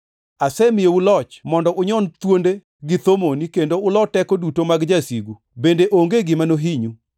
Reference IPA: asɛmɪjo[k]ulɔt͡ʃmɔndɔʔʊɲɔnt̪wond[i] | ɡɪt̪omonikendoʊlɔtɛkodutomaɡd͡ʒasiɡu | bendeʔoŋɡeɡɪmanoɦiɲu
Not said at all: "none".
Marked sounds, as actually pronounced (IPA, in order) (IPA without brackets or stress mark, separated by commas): none, e